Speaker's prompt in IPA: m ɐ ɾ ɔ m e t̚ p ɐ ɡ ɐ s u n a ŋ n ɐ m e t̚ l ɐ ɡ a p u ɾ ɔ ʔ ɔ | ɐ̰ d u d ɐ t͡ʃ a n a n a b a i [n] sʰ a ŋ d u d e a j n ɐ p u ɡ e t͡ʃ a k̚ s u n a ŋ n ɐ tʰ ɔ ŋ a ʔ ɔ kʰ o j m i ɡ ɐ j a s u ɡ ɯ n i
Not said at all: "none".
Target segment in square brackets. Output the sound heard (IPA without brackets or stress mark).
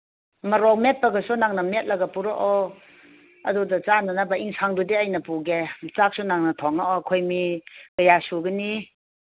ŋ